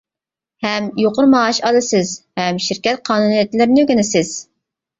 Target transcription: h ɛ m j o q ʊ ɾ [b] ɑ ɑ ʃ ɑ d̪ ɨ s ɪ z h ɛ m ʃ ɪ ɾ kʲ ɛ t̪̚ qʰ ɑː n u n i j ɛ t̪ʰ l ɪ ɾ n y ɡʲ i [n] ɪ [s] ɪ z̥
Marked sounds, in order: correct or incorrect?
incorrect, correct, correct

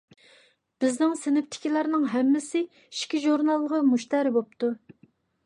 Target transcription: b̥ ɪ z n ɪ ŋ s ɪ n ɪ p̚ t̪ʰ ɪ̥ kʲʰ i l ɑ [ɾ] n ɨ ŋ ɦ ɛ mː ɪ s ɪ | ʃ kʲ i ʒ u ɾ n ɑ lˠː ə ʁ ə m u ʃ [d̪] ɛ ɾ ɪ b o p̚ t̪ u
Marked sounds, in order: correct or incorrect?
correct, incorrect

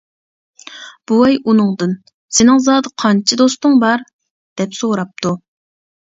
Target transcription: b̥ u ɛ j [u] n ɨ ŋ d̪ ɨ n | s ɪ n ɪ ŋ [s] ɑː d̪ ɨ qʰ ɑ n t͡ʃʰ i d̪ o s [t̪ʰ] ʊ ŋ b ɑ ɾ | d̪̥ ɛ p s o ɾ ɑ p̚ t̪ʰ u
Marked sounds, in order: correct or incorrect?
correct, incorrect, incorrect

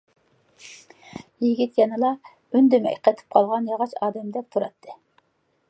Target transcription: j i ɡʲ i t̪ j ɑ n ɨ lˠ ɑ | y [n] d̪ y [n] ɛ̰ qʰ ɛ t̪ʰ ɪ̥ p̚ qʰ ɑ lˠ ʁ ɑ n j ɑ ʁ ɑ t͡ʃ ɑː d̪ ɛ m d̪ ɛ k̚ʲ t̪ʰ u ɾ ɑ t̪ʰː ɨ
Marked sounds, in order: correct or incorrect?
correct, incorrect

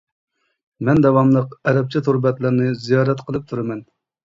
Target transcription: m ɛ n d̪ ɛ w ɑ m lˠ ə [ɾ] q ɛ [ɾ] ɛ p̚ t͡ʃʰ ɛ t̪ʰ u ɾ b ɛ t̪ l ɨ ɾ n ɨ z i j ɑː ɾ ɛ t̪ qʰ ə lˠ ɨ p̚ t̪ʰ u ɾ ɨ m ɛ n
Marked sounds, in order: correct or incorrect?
incorrect, correct

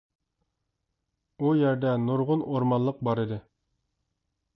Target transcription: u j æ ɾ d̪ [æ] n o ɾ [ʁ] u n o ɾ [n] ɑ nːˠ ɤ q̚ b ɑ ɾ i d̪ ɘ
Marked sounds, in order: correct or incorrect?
correct, correct, incorrect

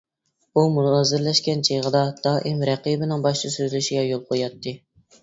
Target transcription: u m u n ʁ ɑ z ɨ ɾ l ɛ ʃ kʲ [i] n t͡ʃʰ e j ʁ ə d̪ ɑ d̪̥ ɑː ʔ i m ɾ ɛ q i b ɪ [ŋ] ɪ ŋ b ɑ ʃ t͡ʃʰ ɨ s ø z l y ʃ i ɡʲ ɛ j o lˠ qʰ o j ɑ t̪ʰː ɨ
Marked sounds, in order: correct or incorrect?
incorrect, incorrect

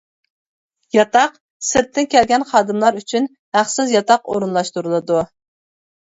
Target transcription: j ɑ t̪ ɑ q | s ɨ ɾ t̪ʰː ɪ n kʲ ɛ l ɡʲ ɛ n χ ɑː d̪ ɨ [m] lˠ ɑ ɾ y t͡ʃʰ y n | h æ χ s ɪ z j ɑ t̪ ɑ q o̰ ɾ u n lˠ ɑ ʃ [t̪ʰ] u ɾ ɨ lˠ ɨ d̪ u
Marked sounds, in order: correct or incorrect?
correct, incorrect

